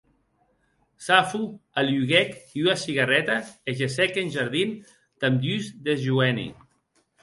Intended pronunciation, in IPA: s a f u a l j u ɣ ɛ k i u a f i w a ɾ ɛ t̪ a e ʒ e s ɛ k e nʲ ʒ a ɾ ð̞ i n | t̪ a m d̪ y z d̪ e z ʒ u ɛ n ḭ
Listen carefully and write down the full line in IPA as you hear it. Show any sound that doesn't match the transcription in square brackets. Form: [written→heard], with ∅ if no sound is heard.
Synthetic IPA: s a f u a l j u ɣ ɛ k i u a [f→s] i [w→ɣ] a [ɾ→r] ɛ t̪ a e ʒ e s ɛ k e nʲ ʒ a ɾ ð̞ i n | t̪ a m d̪ y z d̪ e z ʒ u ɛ n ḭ

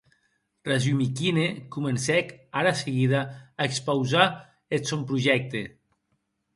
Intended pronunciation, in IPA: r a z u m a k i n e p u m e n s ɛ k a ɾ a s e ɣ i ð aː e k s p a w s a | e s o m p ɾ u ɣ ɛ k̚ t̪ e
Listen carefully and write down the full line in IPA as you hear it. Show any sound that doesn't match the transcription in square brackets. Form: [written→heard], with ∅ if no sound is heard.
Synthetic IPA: r a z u m [a→i] k i n e [p→k] u m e n s ɛ k a ɾ a s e ɣ i ð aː e k s p a w [s→z] a | e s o m p ɾ u [ɣ→ʒ] ɛ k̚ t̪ e

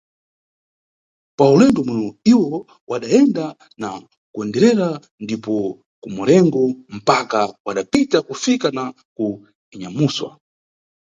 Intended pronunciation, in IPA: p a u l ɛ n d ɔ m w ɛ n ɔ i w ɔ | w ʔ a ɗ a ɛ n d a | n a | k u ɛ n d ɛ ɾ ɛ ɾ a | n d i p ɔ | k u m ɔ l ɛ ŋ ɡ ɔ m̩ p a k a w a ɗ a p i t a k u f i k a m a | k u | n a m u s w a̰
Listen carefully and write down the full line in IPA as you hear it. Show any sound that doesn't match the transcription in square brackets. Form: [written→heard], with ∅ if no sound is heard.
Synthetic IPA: p a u l ɛ n d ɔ m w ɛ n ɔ i w ɔ | w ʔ a ɗ a ɛ n d a | n a | k u ɛ n d ɛ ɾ ɛ ɾ a | n d i p ɔ | k u m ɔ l ɛ ŋ ɡ ɔ m̩ p a k a w a ɗ a p i t a k u f i k a [m→n] a | k u | [n→ɲ] a m u s w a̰

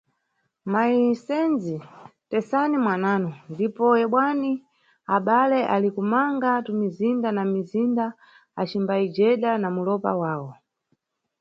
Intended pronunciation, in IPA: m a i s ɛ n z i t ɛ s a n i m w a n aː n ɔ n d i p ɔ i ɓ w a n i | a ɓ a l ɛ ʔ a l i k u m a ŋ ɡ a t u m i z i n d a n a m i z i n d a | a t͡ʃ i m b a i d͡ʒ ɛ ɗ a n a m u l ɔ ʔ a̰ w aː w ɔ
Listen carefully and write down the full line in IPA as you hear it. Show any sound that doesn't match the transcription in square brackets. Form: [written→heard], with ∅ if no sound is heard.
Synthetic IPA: m a i s ɛ n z i t ɛ s a n i m w a n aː n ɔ n d i p ɔ [i→ɛ] ɓ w a n i | a ɓ a l ɛ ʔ a l i k u m a ŋ ɡ a t u m i z i n d a n a m i z i n d a | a t͡ʃ i m b a i d͡ʒ ɛ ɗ a n a m u l ɔ [ʔ→p] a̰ w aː w ɔ

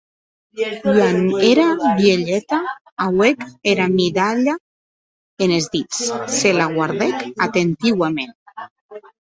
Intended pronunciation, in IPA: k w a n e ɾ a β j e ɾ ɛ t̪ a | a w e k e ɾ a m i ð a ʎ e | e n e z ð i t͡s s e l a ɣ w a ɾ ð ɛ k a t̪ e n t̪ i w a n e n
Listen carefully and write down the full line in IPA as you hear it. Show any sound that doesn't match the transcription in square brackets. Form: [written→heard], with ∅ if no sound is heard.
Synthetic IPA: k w a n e ɾ a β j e [ɾ→ʎ] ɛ t̪ a | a w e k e ɾ a m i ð a ʎ [e→a] | e n e z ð i t͡s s e l a ɣ w a ɾ ð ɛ k a t̪ e n t̪ i w a [n→m] e n

